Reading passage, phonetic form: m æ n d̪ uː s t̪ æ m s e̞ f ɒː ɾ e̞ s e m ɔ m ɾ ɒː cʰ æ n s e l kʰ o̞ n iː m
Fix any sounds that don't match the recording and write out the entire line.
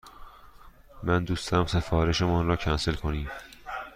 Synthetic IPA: m æ n d̪ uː s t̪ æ m s e̞ f ɒː ɾ e̞ ʃ e m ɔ n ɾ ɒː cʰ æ n s e l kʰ o̞ n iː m